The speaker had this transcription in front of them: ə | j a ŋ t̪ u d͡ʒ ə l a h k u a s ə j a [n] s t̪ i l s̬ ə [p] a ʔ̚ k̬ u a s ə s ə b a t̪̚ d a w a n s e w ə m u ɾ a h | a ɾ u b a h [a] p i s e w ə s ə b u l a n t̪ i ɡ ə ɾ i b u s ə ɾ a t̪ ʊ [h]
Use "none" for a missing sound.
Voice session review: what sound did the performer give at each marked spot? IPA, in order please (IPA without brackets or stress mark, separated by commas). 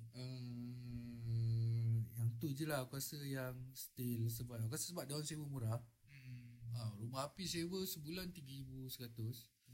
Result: ŋ, b, a, s